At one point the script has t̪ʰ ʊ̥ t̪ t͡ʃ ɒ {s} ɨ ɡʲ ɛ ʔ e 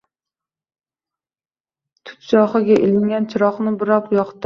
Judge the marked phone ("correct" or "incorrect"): incorrect